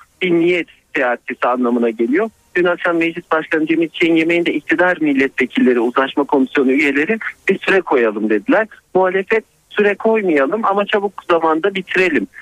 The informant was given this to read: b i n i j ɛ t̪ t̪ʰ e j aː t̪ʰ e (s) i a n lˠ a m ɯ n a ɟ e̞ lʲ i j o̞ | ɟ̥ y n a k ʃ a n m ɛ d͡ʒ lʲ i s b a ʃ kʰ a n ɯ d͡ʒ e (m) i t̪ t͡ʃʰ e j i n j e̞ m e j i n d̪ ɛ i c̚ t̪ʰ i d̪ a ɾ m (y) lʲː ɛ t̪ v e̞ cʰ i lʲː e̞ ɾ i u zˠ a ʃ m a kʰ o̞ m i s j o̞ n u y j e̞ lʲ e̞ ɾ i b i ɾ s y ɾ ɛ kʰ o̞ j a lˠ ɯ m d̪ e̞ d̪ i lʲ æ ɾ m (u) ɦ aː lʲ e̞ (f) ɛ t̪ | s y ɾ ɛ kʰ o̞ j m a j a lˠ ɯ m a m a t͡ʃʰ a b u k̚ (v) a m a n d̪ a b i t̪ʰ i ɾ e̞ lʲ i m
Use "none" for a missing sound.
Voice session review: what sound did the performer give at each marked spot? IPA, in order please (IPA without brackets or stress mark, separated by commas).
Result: s, m, i, u, f, z